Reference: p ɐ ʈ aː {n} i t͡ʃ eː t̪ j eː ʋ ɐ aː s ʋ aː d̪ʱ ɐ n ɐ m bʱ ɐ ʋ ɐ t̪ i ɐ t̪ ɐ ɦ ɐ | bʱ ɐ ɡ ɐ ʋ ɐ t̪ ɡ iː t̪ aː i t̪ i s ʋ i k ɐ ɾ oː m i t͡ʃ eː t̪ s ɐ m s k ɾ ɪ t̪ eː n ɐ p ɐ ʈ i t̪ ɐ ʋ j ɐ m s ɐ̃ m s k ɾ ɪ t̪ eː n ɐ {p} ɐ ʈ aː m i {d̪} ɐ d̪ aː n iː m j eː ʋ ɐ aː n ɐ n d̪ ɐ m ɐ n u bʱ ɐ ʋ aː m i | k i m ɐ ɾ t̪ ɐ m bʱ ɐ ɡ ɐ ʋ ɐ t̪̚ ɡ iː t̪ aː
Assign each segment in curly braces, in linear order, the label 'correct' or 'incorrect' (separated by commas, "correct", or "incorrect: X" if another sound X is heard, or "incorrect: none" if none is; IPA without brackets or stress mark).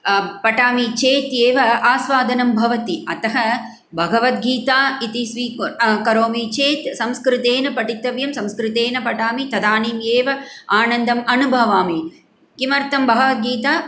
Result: incorrect: m, correct, incorrect: t̪